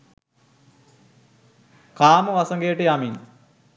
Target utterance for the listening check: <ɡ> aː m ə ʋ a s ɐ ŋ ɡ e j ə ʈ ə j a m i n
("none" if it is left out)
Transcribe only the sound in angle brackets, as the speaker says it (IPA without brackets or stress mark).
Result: k